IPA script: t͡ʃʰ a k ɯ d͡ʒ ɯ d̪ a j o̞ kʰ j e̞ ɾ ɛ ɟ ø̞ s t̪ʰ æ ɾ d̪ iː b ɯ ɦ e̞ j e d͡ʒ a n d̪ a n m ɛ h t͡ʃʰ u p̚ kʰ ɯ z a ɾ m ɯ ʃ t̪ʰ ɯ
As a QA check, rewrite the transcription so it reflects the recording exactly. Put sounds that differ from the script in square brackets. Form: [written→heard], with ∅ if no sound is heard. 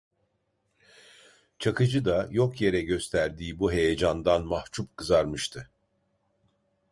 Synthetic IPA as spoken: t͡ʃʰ a k ɯ d͡ʒ ɯ d̪ a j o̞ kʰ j e̞ ɾ ɛ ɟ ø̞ s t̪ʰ æ ɾ d̪ iː b [ɯ→u] ɦ e̞ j e d͡ʒ a n d̪ a n m [ɛ→a] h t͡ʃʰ u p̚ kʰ ɯ z a ɾ m ɯ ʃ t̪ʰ ɯ